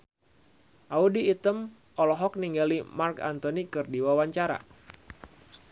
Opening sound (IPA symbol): ʔ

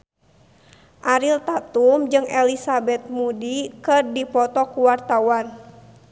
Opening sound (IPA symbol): ʔ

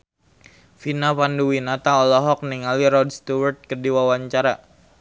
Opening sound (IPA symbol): f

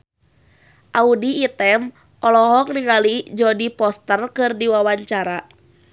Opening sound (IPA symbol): ʔ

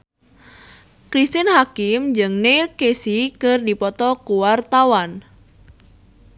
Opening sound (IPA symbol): k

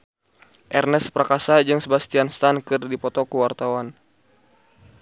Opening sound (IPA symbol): ʔ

